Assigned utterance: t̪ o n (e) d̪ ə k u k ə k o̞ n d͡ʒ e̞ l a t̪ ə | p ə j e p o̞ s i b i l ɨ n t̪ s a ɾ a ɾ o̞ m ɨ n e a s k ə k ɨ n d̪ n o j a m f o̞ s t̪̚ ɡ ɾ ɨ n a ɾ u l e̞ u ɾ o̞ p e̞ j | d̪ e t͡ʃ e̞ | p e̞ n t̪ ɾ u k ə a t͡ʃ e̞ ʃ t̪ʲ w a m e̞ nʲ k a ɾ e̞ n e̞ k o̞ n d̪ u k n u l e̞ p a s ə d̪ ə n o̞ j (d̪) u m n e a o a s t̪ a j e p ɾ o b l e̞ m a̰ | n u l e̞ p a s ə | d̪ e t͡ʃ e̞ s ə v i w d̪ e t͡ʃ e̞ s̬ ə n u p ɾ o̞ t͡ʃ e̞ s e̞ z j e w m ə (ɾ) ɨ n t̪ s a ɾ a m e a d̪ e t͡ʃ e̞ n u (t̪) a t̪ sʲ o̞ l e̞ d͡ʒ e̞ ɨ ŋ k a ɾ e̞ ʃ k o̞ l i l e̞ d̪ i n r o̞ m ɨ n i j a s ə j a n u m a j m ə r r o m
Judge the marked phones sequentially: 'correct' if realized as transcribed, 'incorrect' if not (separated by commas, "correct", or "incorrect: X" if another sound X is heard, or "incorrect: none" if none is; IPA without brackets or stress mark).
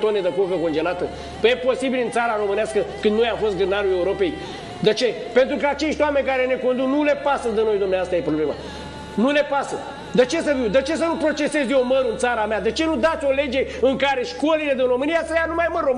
correct, correct, correct, incorrect: d̪